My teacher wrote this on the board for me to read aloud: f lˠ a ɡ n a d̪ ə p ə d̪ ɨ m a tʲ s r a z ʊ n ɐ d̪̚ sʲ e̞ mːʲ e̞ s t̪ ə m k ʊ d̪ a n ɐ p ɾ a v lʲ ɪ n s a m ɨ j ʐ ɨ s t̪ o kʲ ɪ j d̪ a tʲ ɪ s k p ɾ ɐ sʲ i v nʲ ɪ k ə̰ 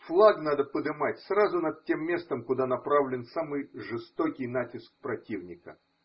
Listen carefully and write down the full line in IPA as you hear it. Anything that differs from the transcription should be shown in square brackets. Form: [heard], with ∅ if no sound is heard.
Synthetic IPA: f lˠ a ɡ n a d̪ ə p ə d̪ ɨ m a tʲ s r a z ʊ n ɐ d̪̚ [tʲ] e̞ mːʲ e̞ s t̪ ə m k ʊ d̪ a n ɐ p ɾ a v lʲ ɪ n s a m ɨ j ʐ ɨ s t̪ o kʲ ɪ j [n̪] a tʲ ɪ s k p ɾ ɐ [tʲ] i v nʲ ɪ k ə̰